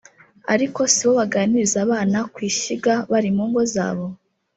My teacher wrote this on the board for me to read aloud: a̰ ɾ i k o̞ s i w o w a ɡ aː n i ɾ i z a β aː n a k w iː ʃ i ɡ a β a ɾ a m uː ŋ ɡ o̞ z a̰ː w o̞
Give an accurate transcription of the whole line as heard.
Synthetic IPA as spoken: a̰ ɾ i k o̞ s i β o β a ɡ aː n i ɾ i z a β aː n a k w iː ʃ i ɡ a β a ɾ i m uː ŋ ɡ o̞ z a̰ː β o̞